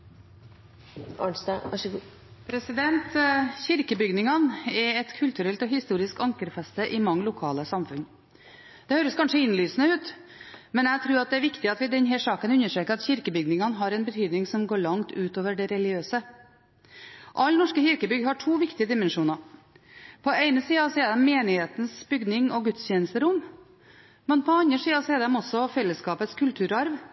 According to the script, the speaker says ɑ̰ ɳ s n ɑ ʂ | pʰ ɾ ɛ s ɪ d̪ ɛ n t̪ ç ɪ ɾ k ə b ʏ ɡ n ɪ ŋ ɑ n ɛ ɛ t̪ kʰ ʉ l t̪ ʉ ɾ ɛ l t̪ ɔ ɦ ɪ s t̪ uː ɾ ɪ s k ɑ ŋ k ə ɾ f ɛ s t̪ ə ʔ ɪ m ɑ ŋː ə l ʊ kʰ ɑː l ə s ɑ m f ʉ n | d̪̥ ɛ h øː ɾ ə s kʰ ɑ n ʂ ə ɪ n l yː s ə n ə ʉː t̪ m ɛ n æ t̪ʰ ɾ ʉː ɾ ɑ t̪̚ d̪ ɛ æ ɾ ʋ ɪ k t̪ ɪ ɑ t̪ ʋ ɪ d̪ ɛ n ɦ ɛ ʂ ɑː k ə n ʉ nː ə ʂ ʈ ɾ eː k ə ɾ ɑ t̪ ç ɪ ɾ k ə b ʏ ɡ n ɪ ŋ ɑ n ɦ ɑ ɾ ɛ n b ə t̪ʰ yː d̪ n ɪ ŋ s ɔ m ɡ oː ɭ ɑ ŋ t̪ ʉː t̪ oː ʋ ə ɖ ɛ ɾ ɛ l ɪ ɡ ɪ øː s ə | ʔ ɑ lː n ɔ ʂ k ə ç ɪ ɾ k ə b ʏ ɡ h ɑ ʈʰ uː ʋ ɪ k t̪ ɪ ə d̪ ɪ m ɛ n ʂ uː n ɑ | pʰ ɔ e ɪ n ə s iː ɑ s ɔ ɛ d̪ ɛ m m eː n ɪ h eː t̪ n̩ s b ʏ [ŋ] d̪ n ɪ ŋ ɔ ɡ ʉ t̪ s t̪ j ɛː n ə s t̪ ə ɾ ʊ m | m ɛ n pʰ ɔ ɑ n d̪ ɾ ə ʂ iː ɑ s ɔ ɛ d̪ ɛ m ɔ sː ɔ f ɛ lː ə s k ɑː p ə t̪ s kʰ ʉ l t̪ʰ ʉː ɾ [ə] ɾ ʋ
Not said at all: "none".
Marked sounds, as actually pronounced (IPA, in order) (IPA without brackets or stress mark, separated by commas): ɡ, ɑ